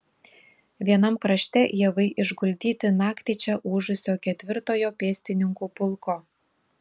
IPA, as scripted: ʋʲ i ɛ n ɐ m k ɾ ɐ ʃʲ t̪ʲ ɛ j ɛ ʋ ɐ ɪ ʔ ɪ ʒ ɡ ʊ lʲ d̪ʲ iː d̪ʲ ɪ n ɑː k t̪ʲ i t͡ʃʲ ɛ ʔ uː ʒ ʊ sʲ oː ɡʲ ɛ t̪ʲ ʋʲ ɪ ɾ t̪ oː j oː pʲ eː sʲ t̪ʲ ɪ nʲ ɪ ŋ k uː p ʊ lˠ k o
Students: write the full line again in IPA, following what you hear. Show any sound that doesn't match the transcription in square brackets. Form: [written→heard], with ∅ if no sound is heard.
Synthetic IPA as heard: ʋʲ i ɛ n ɐ m k ɾ ɐ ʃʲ t̪ʲ ɛ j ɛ ʋ ɐ ɪ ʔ ɪ ʒ ɡ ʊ lʲ d̪ʲ iː [d̪ʲ→t̪ʲ] ɪ n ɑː k t̪ʲ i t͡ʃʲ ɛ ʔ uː ʒ ʊ sʲ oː [ɡʲ→kʲ] ɛ t̪ʲ ʋʲ ɪ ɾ t̪ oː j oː pʲ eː sʲ t̪ʲ ɪ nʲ ɪ ŋ k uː p ʊ lˠ k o